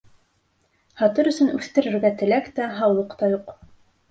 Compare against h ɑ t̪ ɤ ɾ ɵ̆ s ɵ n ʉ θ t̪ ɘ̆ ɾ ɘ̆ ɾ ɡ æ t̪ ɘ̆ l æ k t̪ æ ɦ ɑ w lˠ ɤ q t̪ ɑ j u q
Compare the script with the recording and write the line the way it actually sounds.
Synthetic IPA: h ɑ t̪ ɤ ɾ ɵ̆ s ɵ n ʉ θ t̪ ɘ̆ ɾ ɘ̆ ɾ ɡ æ t̪ ɘ̆ l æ k t̪ æ ɦ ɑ w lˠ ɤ q t̪ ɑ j u q